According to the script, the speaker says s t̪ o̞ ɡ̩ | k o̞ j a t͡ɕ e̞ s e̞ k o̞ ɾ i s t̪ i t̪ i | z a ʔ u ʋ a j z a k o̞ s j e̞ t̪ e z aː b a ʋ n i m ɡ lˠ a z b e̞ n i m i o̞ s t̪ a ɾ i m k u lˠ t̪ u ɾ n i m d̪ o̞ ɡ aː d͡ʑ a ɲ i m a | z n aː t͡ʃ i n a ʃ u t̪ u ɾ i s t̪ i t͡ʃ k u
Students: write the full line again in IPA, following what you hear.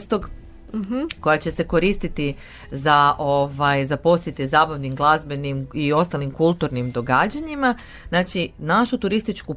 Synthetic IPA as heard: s t̪ o̞ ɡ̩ | k o̞ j a t͡ɕ e̞ s e̞ k o̞ ɾ i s t̪ i t̪ i | z a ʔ o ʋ a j z a p o̞ s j e̞ t̪ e z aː b a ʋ n i m ɡ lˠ a z b e̞ n i m i o̞ s t̪ a l i m k u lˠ t̪ u ɾ n i m d̪ o̞ ɡ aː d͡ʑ a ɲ i m a | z n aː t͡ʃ i n a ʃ u t̪ u ɾ i s t̪ i t͡ʃ k u